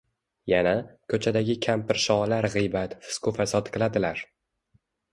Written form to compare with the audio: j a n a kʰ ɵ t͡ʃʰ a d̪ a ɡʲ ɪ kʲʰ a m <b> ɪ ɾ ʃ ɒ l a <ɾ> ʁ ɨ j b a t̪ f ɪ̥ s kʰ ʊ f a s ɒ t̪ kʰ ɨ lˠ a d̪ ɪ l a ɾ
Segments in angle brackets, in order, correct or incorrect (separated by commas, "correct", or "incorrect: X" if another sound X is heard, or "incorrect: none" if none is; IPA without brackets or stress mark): incorrect: p, correct